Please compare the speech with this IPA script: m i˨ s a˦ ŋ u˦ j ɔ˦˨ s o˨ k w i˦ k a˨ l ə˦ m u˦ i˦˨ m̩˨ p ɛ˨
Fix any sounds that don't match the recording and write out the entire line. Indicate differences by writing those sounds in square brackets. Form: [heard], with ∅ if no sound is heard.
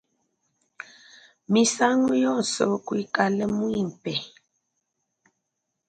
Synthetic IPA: m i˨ s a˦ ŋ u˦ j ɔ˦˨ s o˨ k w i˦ k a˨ l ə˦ m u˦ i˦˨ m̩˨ p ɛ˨

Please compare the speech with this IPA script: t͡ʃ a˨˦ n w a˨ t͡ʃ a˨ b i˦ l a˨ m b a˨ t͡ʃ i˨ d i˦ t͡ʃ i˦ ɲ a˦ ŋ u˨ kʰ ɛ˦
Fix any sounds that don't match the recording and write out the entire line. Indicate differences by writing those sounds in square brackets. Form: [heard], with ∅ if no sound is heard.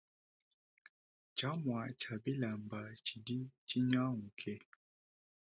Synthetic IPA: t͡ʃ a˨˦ [m] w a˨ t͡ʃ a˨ b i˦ l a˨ m b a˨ t͡ʃ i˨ d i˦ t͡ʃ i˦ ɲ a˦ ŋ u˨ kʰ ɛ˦

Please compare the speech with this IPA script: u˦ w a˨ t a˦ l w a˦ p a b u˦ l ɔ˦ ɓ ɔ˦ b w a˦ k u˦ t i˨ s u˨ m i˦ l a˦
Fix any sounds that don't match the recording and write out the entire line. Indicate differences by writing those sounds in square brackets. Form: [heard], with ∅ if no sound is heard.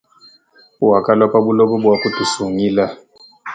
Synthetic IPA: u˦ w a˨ [k] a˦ l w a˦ p a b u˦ l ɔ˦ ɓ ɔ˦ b w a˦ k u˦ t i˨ s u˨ [ŋ] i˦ l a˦

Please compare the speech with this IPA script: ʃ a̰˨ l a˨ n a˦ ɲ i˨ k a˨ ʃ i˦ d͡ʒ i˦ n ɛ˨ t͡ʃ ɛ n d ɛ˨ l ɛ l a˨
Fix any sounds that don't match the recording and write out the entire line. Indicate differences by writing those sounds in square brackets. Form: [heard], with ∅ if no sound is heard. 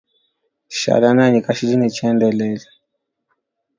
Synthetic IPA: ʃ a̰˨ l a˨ n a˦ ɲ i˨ k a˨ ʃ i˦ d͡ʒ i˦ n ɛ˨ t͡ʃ ɛ n d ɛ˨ l ɛ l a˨

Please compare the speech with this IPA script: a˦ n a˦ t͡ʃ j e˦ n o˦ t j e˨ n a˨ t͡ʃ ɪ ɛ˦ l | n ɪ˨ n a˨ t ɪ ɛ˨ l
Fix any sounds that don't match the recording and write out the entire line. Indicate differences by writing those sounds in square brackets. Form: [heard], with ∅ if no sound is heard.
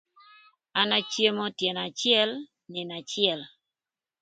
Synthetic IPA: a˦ n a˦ t͡ʃ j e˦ [m] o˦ t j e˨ n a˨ t͡ʃ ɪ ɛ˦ l | n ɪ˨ n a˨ [t͡ʃ] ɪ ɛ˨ l

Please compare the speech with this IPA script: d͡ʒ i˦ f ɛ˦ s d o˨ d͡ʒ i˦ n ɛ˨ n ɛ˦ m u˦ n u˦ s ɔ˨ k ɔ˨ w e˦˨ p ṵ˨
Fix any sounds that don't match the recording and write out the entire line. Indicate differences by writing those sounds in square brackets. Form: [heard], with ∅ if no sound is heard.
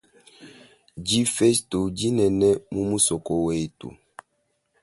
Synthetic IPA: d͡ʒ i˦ f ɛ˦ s [t] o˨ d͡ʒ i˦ n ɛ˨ n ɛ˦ m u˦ [m] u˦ s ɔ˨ k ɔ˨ w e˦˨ [t] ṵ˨

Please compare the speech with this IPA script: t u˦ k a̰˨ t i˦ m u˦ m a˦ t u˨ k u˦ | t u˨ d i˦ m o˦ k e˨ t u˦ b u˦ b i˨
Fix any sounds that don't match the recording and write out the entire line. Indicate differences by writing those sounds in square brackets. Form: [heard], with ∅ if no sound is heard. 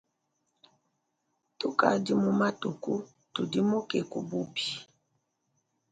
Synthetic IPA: t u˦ k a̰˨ [d] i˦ m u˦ m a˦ t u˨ k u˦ | t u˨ d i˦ m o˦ k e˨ [k] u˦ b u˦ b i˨

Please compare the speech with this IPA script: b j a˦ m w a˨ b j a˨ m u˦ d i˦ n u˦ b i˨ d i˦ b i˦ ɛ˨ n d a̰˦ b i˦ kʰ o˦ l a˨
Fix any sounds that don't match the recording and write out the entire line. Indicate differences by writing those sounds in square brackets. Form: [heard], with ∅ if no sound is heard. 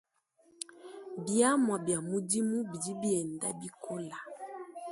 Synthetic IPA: b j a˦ m w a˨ b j a˨ m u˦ d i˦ [m] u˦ b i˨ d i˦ b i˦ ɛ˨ n d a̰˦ b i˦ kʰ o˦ l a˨

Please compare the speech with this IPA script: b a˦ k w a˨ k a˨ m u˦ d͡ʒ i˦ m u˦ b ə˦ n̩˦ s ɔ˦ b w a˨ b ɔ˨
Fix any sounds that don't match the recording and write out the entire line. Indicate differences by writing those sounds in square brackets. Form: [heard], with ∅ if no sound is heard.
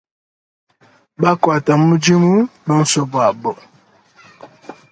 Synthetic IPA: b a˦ k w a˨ [t] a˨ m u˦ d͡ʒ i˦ m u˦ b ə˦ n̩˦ s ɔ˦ b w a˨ b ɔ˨

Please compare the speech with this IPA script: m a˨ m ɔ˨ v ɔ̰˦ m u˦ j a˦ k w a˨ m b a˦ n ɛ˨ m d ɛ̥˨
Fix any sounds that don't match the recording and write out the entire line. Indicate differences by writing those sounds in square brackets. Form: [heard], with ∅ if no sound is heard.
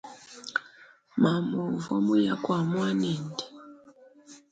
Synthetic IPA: m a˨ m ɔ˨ v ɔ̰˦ m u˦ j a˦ k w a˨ m [w] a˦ n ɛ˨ [n] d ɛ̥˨

